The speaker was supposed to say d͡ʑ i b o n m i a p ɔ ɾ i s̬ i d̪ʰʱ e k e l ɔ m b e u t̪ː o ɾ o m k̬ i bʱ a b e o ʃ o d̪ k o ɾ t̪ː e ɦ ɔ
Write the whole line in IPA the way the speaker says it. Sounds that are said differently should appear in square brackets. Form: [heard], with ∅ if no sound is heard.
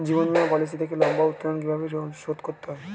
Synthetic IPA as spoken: d͡ʑ i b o n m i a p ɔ [l] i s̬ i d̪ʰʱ e k e l ɔ m b [a] u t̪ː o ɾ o [n] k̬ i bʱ a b e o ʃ o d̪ k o ɾ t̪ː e ɦ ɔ